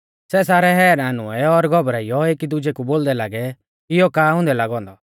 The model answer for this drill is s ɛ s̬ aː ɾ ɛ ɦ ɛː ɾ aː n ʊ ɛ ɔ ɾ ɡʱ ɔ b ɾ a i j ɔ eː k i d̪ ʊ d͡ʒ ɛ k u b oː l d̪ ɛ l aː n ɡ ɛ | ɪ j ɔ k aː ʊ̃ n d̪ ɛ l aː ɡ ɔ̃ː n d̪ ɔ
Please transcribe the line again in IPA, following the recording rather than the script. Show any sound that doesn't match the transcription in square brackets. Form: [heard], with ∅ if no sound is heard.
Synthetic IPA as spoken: s ɛ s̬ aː ɾ ɛ ɦ ɛː ɾ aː n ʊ ɛ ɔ ɾ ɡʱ ɔ b ɾ a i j ɔ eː k i d̪ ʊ d͡ʒ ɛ k u b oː l d̪ ɛ l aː [∅] ɡ ɛ | ɪ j ɔ k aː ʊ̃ n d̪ ɛ l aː ɡ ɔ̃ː n d̪ ɔ